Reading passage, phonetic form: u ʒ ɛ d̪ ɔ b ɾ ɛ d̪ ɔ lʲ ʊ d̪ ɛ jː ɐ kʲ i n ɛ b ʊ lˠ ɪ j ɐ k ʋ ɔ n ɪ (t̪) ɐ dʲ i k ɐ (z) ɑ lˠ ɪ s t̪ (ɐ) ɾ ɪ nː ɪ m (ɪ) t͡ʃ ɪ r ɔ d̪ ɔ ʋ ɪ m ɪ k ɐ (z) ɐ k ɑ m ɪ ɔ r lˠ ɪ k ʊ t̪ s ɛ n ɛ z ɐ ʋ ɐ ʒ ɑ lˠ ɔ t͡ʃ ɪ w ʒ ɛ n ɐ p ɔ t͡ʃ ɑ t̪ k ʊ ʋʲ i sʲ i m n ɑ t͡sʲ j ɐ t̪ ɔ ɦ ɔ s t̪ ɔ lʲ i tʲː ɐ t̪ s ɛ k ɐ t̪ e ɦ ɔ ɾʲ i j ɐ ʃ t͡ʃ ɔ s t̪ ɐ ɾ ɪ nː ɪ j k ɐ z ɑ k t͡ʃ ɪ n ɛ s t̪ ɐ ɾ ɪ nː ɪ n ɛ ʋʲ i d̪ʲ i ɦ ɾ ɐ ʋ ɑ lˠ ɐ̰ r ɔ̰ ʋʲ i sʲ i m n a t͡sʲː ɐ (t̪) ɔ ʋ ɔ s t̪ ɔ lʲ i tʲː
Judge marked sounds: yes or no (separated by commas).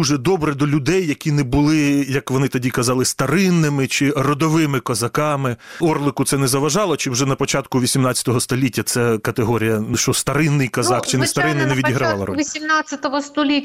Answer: yes, yes, yes, yes, yes, yes